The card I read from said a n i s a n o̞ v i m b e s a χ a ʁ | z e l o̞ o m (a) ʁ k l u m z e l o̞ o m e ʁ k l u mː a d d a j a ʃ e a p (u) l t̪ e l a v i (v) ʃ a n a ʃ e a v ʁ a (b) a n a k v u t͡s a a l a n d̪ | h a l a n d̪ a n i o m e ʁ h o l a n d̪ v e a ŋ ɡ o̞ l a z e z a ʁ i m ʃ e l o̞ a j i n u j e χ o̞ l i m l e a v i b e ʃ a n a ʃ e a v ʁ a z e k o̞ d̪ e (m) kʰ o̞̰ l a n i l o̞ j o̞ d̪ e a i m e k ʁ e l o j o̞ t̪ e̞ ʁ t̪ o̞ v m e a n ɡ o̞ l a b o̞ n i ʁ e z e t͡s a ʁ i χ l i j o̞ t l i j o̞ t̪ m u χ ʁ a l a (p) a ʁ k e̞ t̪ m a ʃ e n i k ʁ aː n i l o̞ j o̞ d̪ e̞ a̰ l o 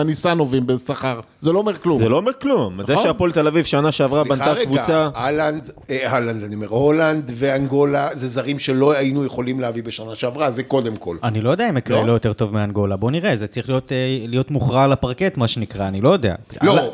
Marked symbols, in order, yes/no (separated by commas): no, no, yes, yes, yes, yes